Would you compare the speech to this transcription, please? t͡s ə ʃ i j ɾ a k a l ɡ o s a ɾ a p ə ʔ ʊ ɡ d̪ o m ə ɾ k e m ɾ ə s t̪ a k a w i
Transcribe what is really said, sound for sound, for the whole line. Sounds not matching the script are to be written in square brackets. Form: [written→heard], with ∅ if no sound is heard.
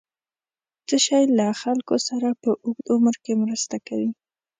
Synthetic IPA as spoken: t͡s ə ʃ [i→a] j [ɾ→l] a [k→x] a l [ɡ→k] o s a ɾ a p ə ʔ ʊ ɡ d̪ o m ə ɾ k e m ɾ ə s t̪ a k a w i